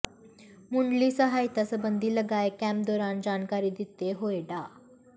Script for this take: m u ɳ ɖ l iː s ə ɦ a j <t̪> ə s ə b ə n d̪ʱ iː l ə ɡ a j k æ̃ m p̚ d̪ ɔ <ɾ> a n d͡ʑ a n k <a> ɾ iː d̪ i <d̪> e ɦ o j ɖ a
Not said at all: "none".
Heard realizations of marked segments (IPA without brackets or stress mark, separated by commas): t̪, ɾ, a, t̪